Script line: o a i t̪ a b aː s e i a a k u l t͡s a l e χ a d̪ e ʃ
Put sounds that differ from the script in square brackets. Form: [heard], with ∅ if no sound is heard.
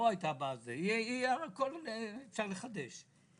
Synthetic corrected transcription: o a [j] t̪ a b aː [z] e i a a k [o] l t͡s a l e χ a d̪ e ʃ